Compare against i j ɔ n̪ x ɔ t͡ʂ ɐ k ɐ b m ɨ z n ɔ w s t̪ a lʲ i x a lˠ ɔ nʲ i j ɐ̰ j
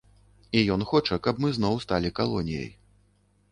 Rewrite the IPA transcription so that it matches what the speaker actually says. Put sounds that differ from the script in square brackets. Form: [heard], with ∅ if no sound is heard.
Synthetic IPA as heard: i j ɔ n̪ x ɔ t͡ʂ ɐ k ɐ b m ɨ z n ɔ w s t̪ a lʲ i [k] a lˠ ɔ nʲ i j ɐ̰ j